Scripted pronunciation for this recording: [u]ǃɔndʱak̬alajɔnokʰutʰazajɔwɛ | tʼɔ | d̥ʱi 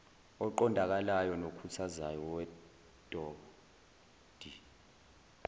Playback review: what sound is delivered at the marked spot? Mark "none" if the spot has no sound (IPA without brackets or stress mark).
ɔ